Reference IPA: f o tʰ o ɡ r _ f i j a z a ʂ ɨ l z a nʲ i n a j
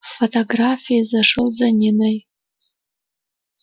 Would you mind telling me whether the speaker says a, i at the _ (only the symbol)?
a